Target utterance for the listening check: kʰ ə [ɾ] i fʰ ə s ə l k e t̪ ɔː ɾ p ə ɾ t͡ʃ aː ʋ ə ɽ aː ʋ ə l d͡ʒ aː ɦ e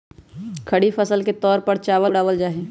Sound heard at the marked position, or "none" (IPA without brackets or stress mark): ɽ